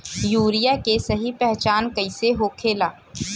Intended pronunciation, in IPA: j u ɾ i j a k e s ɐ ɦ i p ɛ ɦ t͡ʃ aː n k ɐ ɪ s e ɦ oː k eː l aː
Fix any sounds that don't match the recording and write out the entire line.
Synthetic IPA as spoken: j uː ɾ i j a k e s ɐ ɦ i p ɛ ɦ t͡ʃ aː n k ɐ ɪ s e ɦ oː kʰ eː l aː